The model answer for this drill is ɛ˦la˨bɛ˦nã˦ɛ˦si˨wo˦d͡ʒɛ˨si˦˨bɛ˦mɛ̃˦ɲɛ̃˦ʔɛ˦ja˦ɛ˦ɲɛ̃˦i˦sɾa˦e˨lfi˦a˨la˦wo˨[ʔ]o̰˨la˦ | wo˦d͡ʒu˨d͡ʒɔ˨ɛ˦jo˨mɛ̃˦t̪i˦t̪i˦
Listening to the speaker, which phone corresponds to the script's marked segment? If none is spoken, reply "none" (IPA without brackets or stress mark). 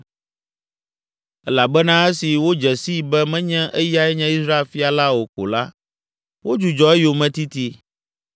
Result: k